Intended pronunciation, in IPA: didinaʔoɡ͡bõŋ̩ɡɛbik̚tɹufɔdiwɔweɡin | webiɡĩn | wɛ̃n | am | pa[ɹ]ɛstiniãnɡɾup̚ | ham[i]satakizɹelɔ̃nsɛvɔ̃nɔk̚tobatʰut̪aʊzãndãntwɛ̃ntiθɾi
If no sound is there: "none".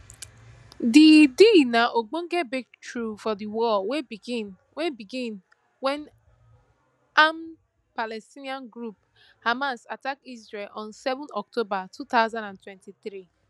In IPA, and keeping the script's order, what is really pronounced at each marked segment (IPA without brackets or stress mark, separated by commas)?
l, a